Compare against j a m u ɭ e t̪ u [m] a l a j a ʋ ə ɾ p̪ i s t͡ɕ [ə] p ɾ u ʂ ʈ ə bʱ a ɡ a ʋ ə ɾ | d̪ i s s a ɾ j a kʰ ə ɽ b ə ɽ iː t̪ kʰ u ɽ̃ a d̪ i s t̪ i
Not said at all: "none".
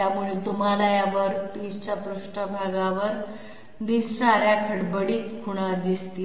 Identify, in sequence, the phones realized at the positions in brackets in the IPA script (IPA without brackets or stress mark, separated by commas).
m, a